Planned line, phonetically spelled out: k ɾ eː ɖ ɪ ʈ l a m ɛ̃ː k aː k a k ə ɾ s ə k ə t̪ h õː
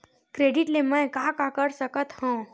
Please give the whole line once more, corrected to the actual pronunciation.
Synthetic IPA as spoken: k ɾ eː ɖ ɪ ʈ l e m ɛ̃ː k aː k a k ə ɾ s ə k ə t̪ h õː